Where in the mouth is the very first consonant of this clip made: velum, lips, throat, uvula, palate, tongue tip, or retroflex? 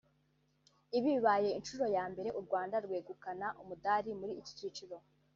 lips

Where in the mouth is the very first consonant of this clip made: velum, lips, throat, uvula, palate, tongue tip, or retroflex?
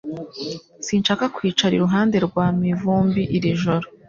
tongue tip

